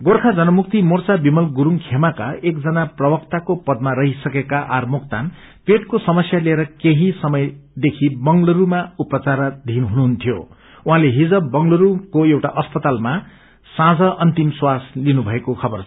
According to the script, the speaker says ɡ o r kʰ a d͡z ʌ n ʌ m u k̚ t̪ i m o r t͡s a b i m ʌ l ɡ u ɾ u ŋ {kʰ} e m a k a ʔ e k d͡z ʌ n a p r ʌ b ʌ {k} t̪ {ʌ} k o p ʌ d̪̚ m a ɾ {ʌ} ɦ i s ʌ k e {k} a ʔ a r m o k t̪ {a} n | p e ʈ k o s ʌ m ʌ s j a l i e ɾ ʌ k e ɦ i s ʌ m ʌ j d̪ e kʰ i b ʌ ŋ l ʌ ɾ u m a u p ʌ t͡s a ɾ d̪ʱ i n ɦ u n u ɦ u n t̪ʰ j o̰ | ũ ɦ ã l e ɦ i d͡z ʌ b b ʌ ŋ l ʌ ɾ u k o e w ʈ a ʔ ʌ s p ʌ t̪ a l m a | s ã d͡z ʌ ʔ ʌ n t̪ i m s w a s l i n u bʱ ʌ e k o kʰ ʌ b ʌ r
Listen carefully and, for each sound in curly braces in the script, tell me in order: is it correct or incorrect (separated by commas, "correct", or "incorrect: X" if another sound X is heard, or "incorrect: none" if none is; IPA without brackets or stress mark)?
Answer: correct, correct, incorrect: a, correct, correct, correct